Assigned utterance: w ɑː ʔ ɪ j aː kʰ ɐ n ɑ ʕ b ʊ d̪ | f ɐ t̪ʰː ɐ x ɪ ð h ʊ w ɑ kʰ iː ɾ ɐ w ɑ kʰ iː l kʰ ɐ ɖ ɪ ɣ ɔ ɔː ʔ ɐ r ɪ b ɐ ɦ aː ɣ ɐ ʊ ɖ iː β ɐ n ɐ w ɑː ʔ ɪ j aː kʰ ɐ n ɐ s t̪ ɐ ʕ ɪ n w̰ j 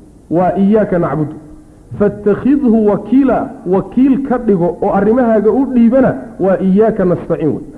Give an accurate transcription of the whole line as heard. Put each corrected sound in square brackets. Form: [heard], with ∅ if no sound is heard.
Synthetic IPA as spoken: w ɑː ʔ ɪ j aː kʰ ɐ n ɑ ʕ b ʊ d̪ | f ɐ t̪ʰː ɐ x ɪ ð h ʊ w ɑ kʰ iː [l] ɐ w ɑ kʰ iː l kʰ ɐ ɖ ɪ ɣ ɔ ɔː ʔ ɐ r ɪ [m] ɐ ɦ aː ɣ ɐ ʊ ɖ iː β ɐ n ɐ w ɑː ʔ ɪ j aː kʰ ɐ n ɐ s t̪ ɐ ʕ ɪ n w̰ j